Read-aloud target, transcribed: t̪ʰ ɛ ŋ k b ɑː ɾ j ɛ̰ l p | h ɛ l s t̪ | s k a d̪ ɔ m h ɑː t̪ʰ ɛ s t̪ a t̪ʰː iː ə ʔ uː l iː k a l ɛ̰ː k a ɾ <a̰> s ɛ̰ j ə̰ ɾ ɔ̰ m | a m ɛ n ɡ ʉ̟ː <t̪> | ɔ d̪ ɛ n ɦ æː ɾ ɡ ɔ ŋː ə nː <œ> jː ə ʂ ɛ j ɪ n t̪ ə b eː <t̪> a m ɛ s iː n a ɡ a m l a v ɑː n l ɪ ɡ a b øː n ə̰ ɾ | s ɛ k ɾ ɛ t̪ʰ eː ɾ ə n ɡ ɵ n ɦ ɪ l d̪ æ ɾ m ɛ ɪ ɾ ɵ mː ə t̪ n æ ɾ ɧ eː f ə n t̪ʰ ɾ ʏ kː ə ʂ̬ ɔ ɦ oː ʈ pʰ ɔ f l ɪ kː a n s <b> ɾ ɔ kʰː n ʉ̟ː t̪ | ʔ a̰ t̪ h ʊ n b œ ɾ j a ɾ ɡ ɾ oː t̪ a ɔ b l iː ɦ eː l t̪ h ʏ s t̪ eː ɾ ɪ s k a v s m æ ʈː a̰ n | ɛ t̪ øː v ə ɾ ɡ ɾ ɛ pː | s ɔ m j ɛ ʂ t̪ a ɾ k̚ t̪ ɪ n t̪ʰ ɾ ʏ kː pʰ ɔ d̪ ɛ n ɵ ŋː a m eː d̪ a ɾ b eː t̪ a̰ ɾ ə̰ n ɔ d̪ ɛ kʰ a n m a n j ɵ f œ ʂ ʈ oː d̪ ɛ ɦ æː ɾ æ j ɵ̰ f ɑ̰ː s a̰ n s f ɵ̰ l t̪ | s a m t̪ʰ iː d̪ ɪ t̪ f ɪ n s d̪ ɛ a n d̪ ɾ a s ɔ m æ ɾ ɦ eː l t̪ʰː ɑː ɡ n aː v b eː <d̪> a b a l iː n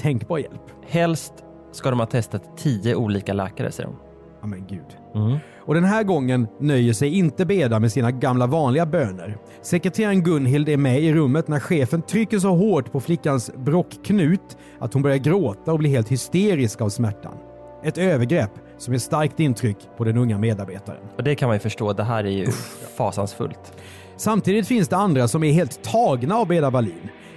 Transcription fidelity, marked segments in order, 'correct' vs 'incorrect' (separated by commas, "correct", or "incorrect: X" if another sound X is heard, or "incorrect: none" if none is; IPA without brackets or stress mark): incorrect: ə̰, incorrect: d̪, correct, incorrect: d̪, correct, correct